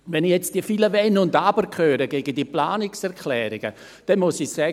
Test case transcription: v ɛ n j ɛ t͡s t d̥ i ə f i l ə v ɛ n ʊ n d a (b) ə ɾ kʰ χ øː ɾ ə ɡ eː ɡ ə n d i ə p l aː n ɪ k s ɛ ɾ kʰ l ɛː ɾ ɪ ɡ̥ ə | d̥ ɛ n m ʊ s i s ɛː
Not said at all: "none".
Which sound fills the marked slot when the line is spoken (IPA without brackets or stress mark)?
b